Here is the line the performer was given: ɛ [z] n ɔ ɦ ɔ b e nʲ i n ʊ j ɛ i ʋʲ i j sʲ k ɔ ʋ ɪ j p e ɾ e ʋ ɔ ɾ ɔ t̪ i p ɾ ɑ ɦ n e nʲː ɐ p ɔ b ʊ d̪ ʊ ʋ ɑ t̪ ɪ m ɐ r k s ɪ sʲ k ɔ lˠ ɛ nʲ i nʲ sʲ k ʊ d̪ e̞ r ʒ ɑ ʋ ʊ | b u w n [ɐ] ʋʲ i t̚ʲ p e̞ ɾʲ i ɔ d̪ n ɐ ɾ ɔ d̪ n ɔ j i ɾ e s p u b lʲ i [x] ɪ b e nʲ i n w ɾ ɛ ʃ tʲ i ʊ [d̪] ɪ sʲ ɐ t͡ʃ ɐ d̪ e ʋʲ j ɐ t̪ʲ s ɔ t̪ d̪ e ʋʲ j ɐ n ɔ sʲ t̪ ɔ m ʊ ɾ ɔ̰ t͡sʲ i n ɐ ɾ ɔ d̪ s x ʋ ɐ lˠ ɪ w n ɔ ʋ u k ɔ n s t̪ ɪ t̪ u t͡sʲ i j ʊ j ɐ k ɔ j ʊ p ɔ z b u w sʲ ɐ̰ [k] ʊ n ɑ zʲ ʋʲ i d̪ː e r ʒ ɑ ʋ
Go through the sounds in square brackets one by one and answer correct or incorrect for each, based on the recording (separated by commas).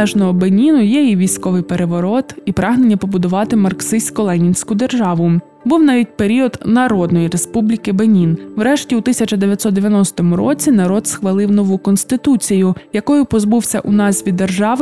incorrect, incorrect, incorrect, incorrect, incorrect